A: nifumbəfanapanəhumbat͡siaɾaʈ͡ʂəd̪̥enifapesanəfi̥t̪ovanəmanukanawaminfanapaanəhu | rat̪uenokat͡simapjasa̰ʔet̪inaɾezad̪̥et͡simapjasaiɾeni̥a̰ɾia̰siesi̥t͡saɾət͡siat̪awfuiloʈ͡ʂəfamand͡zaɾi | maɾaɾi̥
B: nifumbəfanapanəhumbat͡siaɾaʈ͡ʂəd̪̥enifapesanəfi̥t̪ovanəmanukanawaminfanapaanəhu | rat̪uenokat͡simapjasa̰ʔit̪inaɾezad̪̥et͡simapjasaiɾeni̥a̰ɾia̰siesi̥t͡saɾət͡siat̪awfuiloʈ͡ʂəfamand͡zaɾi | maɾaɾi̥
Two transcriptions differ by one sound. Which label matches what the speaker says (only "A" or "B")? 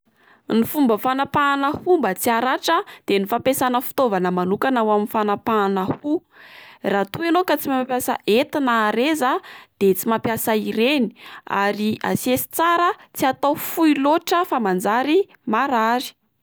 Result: A